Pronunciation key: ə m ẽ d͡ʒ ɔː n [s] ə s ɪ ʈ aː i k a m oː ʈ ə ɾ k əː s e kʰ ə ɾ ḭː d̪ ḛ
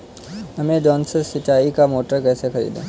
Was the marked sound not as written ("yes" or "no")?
no